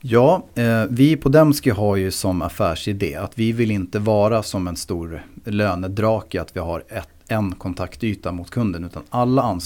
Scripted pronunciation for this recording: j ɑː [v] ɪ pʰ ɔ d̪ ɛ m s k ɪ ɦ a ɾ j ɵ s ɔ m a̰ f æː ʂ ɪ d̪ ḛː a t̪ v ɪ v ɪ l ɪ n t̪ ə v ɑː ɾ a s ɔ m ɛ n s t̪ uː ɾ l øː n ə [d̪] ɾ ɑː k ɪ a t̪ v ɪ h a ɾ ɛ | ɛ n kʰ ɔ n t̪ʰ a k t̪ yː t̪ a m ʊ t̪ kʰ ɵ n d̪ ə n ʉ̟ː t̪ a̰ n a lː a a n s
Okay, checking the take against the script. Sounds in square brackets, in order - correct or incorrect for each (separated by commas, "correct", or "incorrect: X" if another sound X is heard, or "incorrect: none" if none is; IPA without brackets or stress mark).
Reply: correct, correct